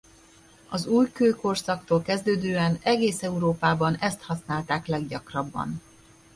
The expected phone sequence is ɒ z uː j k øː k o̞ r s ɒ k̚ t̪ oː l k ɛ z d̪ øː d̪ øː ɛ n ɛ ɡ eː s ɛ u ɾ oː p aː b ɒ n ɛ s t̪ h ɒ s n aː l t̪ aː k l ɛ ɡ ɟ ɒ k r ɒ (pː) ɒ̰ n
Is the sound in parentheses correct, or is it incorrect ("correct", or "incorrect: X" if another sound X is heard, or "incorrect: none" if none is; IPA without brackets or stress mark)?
incorrect: bː